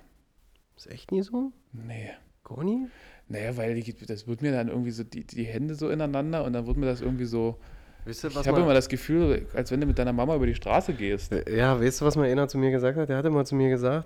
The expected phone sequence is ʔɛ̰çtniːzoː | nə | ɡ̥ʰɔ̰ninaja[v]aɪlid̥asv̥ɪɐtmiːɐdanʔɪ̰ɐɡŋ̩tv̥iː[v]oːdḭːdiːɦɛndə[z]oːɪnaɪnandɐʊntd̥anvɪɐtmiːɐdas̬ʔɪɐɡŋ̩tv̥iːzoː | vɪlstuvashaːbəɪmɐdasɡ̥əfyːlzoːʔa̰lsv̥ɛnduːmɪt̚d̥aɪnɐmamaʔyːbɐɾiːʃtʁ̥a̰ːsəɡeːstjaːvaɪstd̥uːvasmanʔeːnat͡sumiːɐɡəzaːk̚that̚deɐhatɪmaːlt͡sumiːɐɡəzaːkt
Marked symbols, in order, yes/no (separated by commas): yes, no, yes